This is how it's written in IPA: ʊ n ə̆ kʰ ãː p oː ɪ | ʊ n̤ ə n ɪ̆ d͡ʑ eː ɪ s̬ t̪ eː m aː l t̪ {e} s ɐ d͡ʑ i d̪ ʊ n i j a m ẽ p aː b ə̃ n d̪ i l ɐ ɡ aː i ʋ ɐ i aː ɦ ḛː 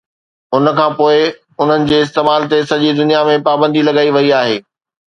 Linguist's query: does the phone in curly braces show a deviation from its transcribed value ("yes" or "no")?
no